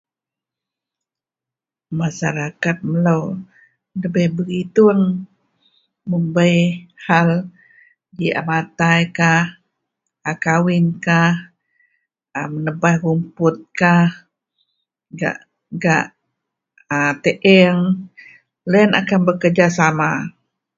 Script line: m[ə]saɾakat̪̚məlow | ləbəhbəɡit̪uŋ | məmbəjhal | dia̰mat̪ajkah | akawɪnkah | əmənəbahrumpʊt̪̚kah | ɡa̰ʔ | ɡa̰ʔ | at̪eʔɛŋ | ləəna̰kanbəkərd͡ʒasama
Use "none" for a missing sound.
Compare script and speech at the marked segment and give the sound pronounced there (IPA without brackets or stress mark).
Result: a